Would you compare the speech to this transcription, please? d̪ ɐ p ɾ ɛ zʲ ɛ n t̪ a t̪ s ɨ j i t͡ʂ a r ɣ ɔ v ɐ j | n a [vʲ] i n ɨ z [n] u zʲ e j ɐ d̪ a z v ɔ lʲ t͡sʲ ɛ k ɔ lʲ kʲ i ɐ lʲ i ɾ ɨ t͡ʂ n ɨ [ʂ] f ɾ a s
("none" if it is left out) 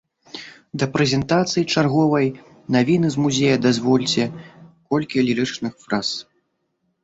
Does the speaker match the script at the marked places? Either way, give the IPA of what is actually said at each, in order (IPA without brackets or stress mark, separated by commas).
vʲ, m, x